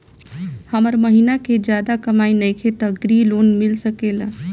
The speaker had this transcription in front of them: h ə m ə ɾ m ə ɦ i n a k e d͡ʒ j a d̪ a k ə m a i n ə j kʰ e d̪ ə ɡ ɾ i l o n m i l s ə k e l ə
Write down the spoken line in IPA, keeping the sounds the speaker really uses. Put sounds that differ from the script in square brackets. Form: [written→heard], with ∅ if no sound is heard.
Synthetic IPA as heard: h ə m ə ɾ m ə ɦ i n a k e d͡ʒ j a d̪ a k ə m a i n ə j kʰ e [d̪→t̪] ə ɡ ɾ i l o n m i l s ə k e l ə